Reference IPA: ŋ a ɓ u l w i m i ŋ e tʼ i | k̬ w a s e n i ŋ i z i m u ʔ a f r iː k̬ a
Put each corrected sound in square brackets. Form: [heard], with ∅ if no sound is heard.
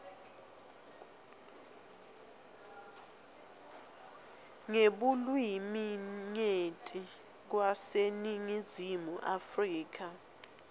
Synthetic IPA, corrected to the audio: ŋ [e] ɓ u l w i m i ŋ e tʼ i | k̬ w a s e n i ŋ i z i m u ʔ a f r iː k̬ a